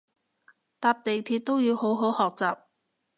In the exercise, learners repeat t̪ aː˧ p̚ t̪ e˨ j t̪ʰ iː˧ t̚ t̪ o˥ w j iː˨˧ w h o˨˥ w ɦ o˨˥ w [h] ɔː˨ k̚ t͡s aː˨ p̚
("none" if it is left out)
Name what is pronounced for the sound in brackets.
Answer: h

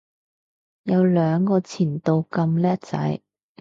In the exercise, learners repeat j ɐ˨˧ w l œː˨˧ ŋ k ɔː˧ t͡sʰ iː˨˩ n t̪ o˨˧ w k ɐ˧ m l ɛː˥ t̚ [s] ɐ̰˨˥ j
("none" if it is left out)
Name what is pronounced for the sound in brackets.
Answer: t͡s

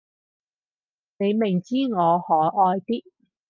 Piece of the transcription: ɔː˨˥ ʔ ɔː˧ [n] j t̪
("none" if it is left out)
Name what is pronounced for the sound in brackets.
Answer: none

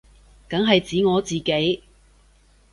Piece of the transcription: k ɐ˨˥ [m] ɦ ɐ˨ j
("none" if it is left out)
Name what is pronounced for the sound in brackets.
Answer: ŋ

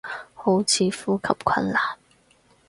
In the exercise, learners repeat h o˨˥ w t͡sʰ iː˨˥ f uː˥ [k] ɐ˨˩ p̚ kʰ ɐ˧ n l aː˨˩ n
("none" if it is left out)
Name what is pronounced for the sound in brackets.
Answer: kʰ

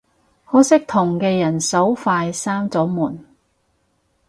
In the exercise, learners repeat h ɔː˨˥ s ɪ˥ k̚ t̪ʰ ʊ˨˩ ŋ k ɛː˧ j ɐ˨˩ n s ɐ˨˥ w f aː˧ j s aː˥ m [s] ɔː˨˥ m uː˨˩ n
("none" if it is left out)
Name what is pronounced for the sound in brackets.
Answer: t͡s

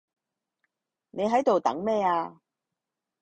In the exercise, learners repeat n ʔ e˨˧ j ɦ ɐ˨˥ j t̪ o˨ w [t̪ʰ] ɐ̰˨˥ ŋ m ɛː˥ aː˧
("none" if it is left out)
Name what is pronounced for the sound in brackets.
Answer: t̪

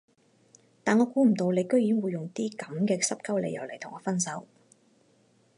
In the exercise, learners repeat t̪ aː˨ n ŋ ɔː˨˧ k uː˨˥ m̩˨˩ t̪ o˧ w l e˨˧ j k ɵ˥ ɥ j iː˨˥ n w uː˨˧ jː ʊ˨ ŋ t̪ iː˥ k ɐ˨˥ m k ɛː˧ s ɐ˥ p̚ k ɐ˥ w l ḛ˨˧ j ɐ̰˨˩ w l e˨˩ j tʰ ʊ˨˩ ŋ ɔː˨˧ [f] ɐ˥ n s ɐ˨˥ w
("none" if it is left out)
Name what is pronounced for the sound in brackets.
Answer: f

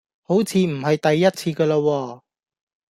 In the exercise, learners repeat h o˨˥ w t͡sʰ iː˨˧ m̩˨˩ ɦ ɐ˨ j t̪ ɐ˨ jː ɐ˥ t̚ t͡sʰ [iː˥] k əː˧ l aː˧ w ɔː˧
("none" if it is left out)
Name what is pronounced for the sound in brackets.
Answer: iː˧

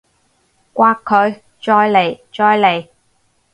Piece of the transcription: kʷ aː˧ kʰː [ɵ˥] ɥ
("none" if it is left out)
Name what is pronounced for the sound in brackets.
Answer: ɵ˨˧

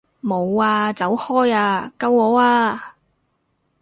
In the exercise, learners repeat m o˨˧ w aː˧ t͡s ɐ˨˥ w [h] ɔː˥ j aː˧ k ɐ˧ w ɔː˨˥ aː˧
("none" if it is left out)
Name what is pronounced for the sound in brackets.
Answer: h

